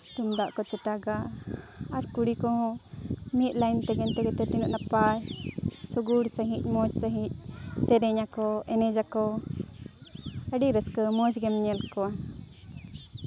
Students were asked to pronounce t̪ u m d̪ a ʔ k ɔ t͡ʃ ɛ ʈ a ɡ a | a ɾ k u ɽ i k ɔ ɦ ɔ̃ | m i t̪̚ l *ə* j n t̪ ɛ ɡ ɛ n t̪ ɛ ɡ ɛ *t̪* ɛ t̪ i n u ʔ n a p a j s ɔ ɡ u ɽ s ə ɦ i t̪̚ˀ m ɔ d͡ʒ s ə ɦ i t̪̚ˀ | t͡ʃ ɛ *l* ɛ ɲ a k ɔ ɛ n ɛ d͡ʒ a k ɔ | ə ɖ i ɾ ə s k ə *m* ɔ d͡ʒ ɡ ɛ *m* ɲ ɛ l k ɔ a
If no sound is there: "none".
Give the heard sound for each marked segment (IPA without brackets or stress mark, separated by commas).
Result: a, t̪, ɾ, m, m